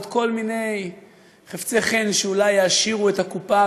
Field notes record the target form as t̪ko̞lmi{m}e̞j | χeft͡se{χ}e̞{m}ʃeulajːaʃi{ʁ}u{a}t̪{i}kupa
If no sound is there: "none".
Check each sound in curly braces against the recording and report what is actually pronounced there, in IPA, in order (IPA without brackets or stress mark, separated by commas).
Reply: n, χ, n, ʁ, e, a